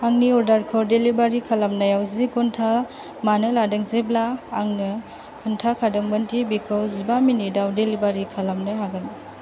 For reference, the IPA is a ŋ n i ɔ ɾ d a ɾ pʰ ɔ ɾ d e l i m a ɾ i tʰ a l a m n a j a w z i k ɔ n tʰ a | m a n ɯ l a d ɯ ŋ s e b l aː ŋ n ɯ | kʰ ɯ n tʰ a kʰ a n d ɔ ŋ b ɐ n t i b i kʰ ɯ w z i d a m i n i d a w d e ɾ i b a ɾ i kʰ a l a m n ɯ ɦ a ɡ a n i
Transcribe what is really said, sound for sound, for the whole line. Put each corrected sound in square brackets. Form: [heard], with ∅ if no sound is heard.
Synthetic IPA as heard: a ŋ n i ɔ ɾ d a ɾ [kʰ] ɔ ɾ d e l i [b] a ɾ i [kʰ] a l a m n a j a w z i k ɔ n tʰ a | m a n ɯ l a d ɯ ŋ [z] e b l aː ŋ n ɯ | kʰ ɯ n tʰ a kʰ a [∅] d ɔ ŋ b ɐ n t i b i kʰ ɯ w z i [b] a m i n i d a w d e [l] i b a ɾ i kʰ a l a m n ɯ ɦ a ɡ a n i

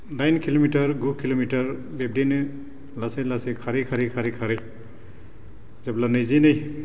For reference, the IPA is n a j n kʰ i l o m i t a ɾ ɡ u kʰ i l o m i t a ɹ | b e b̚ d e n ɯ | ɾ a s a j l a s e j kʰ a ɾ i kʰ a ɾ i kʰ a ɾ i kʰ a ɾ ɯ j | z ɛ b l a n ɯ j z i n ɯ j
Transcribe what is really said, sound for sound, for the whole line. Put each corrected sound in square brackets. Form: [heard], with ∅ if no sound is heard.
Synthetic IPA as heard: n a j n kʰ i l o m i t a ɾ ɡ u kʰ i l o m i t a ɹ | b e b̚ d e n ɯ | [l] a s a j l a s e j kʰ a ɾ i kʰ a ɾ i kʰ a ɾ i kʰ a ɾ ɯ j | z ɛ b l a n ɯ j z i n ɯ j

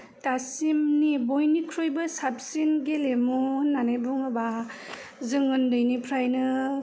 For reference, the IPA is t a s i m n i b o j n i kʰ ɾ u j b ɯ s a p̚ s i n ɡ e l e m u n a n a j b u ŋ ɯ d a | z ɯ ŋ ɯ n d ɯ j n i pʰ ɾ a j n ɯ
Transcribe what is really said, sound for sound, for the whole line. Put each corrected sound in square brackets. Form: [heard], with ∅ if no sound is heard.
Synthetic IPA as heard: t a s i m n i b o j n i kʰ ɾ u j b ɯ s a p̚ s i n ɡ e l e m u n a n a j b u ŋ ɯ [b] a | z ɯ ŋ ɯ n d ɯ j n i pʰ ɾ a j n ɯ

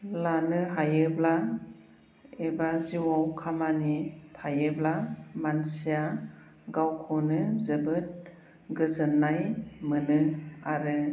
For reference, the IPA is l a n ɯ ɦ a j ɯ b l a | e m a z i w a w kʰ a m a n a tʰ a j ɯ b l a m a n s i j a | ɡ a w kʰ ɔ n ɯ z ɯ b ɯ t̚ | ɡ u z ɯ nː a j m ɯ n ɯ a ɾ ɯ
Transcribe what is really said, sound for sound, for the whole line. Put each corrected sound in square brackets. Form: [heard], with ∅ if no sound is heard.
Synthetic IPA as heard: l a n ɯ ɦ a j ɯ b l a | e [b] a z i w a w kʰ a m a n [i] tʰ a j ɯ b l a m a n s i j a | ɡ a w kʰ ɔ n ɯ z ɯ b ɯ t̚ | ɡ [ɯ] z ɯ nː a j m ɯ n ɯ a ɾ ɯ

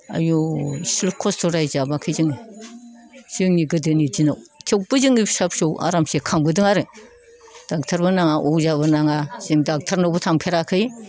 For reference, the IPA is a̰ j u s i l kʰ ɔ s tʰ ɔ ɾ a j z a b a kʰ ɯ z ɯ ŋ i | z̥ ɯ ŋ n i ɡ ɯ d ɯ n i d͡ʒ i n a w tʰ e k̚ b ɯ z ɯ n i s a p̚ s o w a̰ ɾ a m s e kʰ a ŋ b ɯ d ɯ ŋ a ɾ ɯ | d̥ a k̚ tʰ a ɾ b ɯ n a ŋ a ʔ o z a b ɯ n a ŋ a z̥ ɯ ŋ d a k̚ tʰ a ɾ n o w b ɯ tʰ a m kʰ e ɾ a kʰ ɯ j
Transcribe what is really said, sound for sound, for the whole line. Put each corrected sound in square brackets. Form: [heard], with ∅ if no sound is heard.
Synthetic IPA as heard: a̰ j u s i l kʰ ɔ s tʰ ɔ ɾ a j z a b a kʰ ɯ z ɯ ŋ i | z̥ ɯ ŋ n i ɡ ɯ d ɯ n i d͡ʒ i n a w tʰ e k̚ b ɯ z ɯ [ŋ] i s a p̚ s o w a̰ ɾ a m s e kʰ a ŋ b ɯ d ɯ ŋ a ɾ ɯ | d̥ a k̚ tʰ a ɾ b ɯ n a ŋ a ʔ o z a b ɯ n a ŋ a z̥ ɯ ŋ d a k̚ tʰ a ɾ n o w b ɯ tʰ a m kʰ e ɾ a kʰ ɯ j

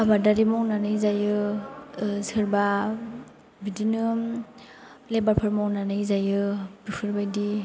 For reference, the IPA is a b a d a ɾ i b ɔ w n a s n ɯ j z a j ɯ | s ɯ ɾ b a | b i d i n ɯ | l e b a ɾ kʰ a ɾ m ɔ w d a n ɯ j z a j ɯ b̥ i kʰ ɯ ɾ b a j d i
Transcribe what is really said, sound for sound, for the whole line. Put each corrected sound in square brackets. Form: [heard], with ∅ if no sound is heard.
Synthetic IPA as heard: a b a d a ɾ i [m] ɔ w n a [∅] n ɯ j z a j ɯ | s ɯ ɾ b a | b i d i n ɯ | l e b a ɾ [pʰ] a ɾ m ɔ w [n] a n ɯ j z a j ɯ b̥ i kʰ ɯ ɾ b a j d i

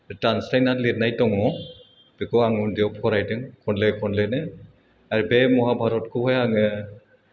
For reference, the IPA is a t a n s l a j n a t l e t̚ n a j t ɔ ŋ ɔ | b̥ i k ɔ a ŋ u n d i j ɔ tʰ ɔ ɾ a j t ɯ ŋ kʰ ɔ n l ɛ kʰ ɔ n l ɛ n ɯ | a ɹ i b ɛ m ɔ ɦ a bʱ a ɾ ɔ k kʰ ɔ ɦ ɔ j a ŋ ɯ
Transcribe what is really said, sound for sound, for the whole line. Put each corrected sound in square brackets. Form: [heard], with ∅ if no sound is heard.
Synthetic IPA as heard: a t a n s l a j n a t l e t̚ n a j t ɔ ŋ ɔ | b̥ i k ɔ a ŋ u n d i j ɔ [pʰ] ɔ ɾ a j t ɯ ŋ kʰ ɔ n l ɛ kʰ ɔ n l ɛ n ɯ | a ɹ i b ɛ m ɔ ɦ a bʱ a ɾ ɔ [t] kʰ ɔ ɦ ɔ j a ŋ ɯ

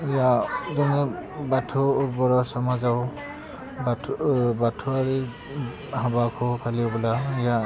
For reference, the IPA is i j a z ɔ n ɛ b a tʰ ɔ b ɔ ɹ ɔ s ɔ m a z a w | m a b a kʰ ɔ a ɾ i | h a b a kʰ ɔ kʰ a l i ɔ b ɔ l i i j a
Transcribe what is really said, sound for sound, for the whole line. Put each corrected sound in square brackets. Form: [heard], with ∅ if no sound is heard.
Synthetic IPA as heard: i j a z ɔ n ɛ b a tʰ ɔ b ɔ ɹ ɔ s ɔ m a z a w | [b] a b a [tʰ] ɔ a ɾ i | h a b a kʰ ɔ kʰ a l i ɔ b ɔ l [a] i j a

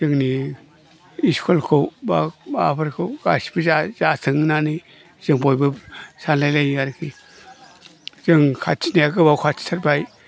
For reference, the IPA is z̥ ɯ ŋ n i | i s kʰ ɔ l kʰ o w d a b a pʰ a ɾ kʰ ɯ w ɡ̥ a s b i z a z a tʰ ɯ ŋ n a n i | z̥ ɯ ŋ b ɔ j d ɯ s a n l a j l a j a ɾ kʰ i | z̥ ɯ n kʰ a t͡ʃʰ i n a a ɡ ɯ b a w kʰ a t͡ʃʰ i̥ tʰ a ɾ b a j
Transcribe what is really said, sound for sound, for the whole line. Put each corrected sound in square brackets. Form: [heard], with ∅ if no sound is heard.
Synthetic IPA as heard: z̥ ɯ ŋ n i | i s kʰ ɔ l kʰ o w [b] a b a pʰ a ɾ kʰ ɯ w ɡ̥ a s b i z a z a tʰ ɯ ŋ n a n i | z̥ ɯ ŋ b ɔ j [b] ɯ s a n l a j l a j a ɾ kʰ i | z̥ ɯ [ŋ] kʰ a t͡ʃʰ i n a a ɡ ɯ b a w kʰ a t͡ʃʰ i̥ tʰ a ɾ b a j

